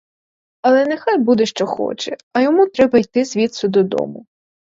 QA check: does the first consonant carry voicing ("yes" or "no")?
yes